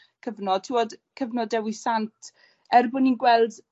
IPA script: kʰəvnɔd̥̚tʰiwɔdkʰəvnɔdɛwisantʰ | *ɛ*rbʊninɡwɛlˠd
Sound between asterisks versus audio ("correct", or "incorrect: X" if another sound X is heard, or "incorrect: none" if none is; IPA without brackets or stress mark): correct